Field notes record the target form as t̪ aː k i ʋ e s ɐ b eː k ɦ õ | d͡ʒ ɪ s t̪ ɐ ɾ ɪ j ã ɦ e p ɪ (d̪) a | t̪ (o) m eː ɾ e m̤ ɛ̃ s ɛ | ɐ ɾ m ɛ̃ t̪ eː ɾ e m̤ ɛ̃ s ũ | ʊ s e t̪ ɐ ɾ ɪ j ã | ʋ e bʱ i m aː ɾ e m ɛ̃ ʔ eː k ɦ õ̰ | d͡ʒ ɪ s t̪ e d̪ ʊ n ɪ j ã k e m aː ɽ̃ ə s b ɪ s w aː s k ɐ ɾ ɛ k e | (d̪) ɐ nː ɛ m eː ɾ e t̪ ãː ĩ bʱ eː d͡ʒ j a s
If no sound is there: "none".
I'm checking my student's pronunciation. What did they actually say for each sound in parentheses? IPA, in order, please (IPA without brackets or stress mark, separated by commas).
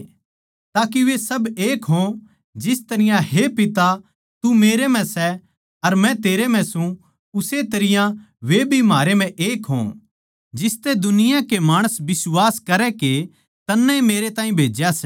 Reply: t̪, u, t̪